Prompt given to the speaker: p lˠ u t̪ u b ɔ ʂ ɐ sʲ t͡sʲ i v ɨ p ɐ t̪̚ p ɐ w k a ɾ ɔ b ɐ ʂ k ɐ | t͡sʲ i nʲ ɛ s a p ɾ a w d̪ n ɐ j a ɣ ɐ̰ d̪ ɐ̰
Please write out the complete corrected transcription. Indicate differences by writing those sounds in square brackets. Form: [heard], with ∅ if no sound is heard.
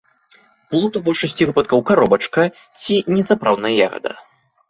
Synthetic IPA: p lˠ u t̪ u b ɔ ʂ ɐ sʲ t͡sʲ i v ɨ p ɐ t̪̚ [k] ɐ w k a ɾ ɔ b ɐ [t͡ʂ] k ɐ | t͡sʲ i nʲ ɛ s a p ɾ a w d̪ n ɐ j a ɣ ɐ̰ d̪ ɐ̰